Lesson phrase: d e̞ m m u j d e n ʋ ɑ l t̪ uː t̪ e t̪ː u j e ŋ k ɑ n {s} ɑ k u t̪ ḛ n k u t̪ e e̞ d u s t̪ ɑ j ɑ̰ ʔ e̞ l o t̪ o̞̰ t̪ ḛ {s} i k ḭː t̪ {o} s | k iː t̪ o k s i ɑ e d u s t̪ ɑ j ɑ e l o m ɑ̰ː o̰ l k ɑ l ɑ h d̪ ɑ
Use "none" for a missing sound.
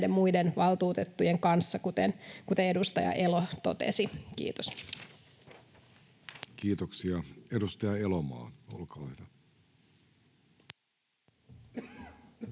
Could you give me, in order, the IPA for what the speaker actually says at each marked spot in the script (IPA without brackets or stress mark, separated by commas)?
sː, s, o